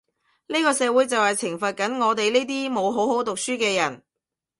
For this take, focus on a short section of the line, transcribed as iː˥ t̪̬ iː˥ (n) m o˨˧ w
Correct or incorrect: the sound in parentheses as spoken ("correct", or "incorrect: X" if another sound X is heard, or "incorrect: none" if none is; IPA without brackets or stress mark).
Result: incorrect: none